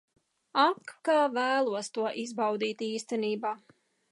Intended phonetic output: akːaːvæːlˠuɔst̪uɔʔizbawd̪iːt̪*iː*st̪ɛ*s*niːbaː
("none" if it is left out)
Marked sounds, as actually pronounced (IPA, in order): iː, none

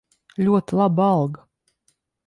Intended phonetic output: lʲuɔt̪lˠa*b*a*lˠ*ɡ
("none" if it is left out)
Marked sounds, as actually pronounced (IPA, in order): b, lˠ

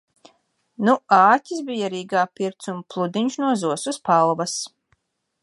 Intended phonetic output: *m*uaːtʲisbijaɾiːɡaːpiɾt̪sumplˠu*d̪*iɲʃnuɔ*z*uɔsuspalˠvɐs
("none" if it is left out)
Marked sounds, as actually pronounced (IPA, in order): n, d̪, z

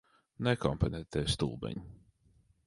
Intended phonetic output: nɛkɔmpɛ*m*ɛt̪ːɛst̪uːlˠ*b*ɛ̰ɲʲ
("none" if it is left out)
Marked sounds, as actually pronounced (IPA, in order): n, b

